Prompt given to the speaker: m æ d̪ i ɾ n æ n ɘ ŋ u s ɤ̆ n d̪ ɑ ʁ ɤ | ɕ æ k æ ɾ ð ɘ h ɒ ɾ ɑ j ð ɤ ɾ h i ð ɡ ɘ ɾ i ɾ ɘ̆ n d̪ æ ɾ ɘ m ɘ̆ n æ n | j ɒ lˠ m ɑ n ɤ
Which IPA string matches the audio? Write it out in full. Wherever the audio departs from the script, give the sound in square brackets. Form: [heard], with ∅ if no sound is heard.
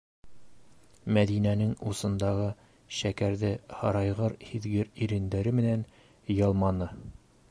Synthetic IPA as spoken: m æ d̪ i [∅] n æ n ɘ ŋ u s ɤ̆ n d̪ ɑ ʁ ɤ | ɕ æ k æ ɾ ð ɘ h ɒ ɾ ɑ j [ʁ] ɤ ɾ h i ð ɡ ɘ ɾ i ɾ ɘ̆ n d̪ æ ɾ ɘ m ɘ̆ n æ n | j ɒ lˠ m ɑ n ɤ